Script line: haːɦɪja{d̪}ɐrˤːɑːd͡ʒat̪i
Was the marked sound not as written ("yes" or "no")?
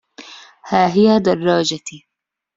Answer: no